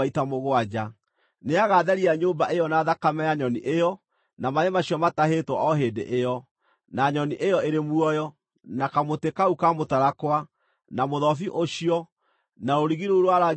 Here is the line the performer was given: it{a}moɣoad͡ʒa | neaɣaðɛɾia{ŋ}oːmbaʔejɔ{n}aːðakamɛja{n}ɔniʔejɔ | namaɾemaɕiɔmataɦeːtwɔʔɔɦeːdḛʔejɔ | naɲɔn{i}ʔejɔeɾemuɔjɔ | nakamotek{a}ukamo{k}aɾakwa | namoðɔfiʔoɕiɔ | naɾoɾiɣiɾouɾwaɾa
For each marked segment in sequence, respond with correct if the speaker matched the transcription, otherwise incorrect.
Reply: correct, incorrect, correct, incorrect, correct, correct, incorrect

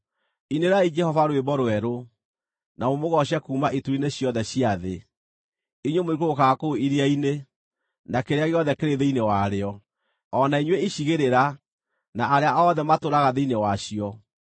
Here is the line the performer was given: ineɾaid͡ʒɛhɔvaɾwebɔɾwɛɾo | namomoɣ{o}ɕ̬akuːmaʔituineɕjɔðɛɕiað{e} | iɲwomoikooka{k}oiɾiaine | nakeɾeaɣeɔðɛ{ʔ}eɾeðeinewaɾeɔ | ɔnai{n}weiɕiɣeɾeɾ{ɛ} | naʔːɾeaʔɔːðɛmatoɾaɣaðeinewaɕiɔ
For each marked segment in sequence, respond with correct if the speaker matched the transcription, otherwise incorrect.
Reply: incorrect, correct, correct, incorrect, incorrect, incorrect

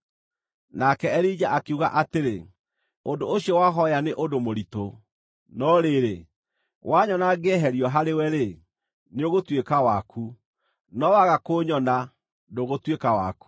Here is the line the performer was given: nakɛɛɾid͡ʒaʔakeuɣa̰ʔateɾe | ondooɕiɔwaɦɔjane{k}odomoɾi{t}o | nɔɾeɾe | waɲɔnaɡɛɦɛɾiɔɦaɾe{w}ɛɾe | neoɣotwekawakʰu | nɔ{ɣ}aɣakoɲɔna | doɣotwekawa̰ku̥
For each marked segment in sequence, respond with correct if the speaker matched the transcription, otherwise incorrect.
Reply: incorrect, correct, correct, incorrect

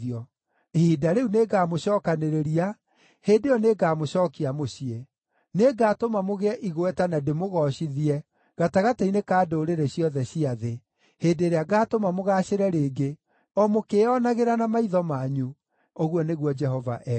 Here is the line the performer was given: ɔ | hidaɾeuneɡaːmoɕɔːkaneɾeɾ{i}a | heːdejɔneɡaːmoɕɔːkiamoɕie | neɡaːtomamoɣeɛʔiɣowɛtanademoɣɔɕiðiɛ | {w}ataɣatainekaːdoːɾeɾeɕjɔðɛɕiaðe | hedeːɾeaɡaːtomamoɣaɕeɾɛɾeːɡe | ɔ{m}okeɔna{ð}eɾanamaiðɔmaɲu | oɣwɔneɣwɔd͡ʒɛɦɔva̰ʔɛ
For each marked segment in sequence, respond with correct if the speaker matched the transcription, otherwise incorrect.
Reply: correct, incorrect, correct, incorrect

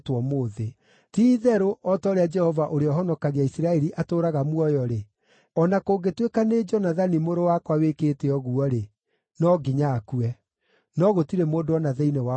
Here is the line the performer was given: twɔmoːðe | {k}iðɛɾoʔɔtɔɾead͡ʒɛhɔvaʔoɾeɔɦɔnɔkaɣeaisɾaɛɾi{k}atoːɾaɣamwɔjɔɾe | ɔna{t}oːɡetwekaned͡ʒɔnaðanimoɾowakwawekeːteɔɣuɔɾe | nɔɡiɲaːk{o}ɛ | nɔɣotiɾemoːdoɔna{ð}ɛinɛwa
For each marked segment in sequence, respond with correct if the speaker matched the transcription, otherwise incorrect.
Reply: incorrect, incorrect, incorrect, incorrect, correct

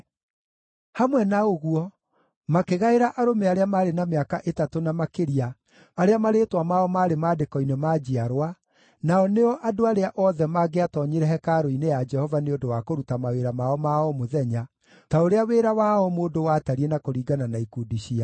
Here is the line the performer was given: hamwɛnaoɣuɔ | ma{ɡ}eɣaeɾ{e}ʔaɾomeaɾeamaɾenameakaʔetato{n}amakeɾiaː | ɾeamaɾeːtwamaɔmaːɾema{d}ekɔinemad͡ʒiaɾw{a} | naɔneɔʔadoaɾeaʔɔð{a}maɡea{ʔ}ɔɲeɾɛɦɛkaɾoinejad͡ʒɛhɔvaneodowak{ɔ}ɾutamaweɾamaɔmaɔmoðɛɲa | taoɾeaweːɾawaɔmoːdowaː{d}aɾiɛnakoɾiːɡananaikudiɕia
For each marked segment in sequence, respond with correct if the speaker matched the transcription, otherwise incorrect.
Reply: incorrect, incorrect, correct, correct, correct, incorrect, incorrect, incorrect, incorrect

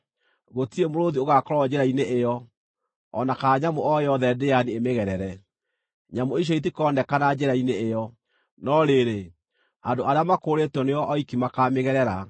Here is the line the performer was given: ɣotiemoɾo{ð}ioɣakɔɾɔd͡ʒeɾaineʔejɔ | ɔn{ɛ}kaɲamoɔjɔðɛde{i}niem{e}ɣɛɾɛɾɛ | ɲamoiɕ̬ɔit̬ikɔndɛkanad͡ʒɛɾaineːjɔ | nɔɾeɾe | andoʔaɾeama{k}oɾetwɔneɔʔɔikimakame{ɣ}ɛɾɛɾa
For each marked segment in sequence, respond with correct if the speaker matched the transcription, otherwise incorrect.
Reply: correct, incorrect, incorrect, correct, correct, correct

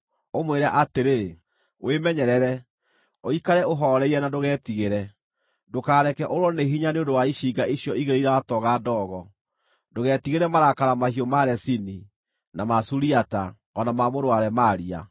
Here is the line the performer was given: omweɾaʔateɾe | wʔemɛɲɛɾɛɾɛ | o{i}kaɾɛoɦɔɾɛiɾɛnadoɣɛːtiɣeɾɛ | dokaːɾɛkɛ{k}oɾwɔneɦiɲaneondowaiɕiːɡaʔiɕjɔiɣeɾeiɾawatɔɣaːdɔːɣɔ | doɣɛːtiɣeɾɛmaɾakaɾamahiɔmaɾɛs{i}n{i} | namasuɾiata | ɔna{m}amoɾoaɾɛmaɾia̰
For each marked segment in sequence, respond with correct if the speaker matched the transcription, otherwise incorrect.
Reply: correct, incorrect, correct, correct, correct

